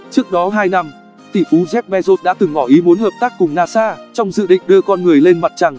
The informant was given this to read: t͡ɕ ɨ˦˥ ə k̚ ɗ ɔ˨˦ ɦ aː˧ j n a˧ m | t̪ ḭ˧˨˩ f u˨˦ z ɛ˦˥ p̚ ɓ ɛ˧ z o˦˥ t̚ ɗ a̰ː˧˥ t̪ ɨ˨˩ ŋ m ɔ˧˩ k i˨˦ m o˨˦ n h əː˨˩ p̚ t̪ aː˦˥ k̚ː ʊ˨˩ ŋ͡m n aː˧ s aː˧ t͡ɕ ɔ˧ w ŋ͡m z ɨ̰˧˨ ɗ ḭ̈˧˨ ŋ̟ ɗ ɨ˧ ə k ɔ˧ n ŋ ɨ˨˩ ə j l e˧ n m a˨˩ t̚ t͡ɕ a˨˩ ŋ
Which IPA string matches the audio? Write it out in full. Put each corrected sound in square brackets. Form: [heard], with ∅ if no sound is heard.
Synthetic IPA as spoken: t͡ɕ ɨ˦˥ ə k̚ ɗ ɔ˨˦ ɦ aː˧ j n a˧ m | t̪ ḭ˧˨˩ f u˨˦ z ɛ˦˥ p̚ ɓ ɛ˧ z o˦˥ t̚ ɗ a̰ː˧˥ t̪ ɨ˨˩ ŋ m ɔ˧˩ [ʔ] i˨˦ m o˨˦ n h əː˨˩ p̚ t̪ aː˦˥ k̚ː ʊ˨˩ ŋ͡m n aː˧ s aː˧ t͡ɕ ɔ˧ w ŋ͡m z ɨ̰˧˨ ɗ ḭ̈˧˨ ŋ̟ ɗ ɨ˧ ə k ɔ˧ n ŋ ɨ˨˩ ə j l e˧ n m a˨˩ t̚ t͡ɕ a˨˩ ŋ